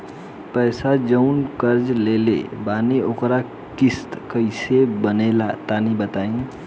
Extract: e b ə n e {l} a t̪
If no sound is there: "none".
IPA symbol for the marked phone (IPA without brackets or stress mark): l